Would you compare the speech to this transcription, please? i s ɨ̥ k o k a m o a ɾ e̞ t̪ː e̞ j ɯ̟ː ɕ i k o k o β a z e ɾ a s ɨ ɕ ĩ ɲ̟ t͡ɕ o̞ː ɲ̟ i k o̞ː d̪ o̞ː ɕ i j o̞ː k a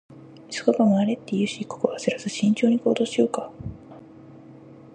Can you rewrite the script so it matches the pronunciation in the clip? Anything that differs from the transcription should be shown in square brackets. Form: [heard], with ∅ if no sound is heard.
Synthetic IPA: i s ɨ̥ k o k a m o a ɾ e̞ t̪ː e̞ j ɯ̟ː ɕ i k o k o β a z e ɾ a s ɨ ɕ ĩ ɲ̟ t͡ɕ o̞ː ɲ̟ i k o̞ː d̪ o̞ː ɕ i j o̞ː k a